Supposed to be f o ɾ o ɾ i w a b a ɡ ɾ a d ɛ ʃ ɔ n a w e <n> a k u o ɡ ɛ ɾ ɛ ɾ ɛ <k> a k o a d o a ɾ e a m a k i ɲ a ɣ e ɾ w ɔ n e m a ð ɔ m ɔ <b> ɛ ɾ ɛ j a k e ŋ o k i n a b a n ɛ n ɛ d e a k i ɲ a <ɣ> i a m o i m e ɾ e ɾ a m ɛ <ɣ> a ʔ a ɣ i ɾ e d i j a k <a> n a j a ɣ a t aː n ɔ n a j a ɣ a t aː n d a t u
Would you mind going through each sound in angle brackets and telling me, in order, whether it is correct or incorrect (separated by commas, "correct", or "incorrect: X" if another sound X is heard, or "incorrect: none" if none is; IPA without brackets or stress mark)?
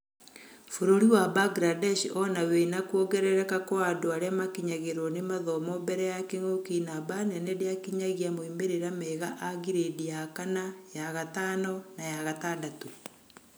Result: correct, correct, correct, correct, correct, correct